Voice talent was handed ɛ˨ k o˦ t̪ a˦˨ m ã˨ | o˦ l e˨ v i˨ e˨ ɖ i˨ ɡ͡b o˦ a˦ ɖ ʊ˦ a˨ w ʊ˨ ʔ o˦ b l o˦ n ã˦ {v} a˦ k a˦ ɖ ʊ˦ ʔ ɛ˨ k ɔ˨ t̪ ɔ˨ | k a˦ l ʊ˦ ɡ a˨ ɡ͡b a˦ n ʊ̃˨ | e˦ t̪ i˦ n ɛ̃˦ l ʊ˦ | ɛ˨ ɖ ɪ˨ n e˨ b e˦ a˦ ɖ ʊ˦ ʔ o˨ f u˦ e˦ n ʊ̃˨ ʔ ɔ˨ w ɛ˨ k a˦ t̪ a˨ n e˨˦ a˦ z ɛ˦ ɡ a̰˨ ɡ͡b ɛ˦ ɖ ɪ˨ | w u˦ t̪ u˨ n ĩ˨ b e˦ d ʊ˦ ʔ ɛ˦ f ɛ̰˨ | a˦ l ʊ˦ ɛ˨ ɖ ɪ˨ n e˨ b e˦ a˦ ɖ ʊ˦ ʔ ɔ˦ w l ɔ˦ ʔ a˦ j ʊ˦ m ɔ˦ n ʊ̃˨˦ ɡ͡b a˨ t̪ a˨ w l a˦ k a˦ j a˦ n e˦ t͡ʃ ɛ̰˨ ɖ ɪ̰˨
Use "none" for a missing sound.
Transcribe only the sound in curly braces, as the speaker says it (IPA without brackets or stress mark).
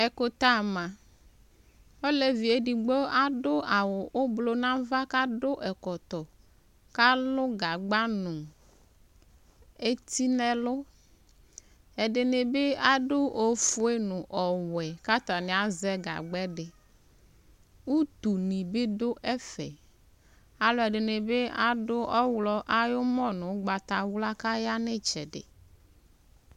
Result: v